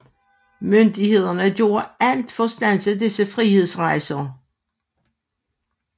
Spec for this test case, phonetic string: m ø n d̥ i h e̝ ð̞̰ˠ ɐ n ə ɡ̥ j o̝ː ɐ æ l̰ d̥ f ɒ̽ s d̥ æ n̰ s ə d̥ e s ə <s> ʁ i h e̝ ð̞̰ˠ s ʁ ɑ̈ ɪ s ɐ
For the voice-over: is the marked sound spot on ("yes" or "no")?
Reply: no